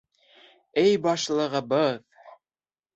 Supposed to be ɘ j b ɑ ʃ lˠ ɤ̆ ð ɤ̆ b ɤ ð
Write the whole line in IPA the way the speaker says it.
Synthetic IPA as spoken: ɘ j b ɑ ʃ lˠ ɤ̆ ʁ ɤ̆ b ɤ ð